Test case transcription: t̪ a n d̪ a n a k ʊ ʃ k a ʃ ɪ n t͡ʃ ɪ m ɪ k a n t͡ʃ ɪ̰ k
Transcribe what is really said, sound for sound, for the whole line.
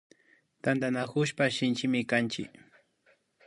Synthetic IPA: t̪ a n d̪ a n a k ʊ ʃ p a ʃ ɪ n t͡ʃ ɪ m ɪ k a n t͡ʃ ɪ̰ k